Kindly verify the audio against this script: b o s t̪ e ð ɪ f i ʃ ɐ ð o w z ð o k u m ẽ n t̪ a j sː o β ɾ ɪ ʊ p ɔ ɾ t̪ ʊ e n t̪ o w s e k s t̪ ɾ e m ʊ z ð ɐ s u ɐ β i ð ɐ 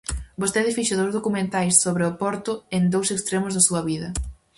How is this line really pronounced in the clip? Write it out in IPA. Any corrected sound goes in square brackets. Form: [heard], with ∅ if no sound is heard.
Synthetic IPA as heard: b o s t̪ e ð ɪ f i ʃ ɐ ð o w z ð o k u m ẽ n t̪ a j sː o β ɾ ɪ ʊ p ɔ ɾ t̪ ʊ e n [d̪] o w s e k s t̪ ɾ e m ʊ z ð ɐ s u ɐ β i ð ɐ